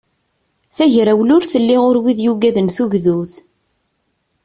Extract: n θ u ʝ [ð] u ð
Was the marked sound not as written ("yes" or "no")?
no